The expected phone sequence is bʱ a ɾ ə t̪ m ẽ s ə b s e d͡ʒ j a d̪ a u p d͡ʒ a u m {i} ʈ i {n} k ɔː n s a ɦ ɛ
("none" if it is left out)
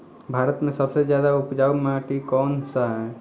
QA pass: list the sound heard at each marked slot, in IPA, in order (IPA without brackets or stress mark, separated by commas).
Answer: a, none